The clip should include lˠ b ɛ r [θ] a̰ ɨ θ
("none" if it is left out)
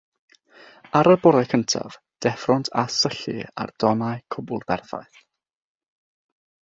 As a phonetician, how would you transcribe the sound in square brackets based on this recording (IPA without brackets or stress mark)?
θ